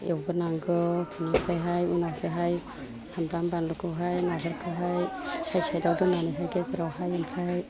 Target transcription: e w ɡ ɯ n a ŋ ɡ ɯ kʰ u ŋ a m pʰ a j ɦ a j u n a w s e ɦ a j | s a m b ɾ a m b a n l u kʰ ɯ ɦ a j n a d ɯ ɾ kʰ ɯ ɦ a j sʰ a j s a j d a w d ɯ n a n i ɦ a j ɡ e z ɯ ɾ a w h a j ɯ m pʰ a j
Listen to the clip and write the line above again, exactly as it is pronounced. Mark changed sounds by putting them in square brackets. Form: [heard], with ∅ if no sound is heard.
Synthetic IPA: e w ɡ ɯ n a ŋ ɡ ɯ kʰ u [n] a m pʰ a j ɦ a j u n a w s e ɦ a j | s a m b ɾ a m b a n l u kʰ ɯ ɦ a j n a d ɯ ɾ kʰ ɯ ɦ a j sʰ a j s a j d a w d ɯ n a n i ɦ a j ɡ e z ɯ ɾ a w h a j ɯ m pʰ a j